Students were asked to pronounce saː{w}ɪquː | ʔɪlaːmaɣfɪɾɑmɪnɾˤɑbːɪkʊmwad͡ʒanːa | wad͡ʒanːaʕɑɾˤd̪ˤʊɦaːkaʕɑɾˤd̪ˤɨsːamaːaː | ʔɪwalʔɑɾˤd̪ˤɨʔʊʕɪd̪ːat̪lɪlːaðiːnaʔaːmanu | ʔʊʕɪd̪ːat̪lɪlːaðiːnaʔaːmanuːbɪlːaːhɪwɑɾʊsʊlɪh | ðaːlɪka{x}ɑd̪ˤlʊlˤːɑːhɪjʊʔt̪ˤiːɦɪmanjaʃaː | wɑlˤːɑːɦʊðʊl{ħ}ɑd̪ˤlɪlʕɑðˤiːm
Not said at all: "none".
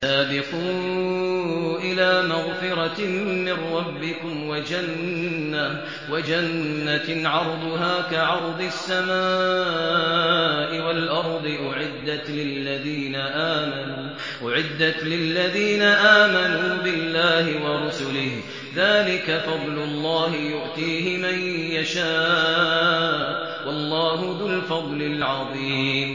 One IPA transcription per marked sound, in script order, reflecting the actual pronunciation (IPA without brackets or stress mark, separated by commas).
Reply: b, f, f